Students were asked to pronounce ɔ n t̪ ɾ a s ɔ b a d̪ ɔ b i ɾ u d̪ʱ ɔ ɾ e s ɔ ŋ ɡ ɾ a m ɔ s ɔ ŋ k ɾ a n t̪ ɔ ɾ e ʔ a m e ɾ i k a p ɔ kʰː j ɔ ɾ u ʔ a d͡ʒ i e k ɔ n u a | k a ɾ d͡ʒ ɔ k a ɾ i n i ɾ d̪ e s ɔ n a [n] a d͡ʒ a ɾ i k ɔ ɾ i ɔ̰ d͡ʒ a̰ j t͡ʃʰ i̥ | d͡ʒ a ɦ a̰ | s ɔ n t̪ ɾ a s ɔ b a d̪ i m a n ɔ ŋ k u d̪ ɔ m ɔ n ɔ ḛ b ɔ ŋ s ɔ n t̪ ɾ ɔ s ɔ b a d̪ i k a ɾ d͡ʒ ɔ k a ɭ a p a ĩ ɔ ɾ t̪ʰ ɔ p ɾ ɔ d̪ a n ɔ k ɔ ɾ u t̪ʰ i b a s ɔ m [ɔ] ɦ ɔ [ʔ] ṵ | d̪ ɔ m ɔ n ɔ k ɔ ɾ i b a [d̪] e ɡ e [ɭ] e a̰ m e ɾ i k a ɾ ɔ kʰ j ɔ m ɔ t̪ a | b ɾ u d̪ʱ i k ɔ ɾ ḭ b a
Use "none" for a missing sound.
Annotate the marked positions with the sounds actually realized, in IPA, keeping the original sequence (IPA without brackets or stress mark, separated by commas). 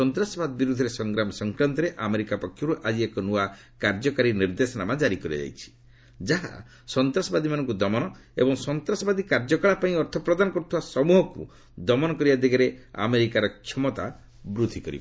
m, u, k, d̪, ɾ